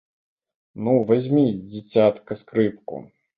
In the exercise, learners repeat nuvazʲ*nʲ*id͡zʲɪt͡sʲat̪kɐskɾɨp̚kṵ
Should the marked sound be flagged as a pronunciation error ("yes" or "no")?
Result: yes